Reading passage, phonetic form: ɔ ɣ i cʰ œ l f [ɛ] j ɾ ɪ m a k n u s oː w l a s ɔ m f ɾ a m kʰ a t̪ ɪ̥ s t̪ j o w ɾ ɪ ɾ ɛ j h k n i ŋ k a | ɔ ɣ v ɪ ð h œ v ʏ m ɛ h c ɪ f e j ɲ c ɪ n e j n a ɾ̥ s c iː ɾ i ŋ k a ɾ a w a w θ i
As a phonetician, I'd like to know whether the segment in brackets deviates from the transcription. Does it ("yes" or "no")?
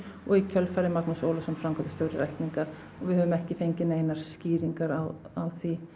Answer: yes